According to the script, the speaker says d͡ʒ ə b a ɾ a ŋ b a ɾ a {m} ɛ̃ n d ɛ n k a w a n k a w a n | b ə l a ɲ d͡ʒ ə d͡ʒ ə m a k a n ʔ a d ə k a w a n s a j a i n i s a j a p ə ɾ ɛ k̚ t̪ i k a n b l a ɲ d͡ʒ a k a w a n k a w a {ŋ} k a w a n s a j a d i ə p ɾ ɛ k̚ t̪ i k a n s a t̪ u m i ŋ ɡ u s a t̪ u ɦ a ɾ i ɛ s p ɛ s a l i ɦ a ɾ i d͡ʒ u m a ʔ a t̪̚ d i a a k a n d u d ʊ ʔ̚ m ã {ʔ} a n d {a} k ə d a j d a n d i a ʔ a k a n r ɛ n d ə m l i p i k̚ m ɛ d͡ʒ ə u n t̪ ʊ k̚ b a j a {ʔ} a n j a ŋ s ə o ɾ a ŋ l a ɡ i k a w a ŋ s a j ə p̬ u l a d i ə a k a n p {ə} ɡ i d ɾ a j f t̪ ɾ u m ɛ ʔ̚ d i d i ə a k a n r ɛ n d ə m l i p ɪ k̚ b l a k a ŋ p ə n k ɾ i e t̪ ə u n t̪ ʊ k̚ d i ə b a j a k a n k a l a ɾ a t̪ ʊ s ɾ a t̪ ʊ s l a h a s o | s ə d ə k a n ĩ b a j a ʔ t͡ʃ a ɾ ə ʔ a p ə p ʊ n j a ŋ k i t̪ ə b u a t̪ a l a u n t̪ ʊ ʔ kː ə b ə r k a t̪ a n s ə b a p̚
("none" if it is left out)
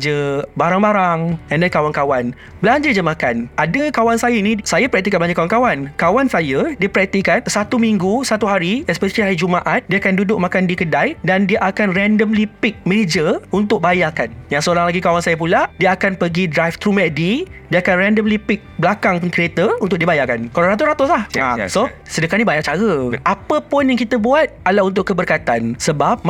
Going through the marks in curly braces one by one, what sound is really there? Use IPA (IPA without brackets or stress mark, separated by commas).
ŋ, n, k, i, k, ə